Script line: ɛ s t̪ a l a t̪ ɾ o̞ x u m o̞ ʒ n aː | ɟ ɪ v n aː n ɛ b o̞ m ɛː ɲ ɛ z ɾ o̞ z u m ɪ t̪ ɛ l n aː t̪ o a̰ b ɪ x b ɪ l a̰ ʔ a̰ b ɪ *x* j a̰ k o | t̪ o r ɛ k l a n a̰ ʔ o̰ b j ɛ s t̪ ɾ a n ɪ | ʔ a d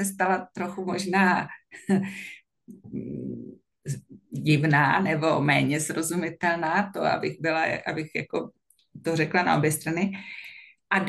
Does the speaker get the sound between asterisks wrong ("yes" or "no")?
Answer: no